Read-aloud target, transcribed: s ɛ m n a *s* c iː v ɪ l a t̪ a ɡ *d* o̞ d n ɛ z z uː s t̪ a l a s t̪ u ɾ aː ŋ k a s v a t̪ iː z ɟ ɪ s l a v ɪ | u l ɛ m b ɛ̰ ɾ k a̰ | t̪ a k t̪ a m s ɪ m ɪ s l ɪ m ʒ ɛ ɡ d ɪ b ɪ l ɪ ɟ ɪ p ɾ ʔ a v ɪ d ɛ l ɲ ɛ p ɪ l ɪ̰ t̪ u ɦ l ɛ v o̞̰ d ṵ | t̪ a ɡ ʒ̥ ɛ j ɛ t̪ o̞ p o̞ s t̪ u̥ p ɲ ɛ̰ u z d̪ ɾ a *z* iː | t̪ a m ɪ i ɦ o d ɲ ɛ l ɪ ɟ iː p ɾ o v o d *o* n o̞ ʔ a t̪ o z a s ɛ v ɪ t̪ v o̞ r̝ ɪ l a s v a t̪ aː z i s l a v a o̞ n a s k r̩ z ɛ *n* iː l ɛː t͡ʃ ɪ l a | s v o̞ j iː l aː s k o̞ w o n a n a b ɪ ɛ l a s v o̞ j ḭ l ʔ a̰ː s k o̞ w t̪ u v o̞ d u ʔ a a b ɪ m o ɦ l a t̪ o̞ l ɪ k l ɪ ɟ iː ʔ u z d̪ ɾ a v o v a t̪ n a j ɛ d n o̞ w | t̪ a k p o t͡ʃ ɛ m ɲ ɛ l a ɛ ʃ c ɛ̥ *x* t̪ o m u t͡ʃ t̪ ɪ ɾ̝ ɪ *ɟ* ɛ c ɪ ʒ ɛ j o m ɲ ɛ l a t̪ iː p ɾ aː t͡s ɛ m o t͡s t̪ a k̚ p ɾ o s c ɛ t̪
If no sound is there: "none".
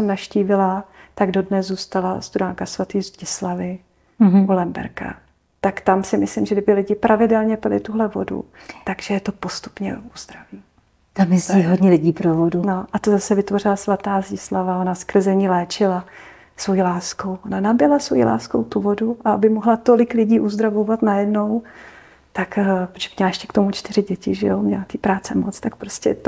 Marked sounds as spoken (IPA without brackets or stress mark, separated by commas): ʃ, d, v, u, ɲ, k, ɟ